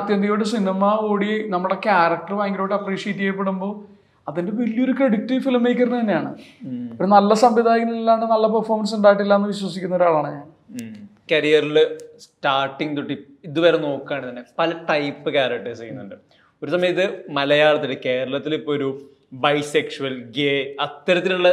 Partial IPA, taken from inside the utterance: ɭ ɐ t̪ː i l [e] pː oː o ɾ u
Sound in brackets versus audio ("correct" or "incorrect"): incorrect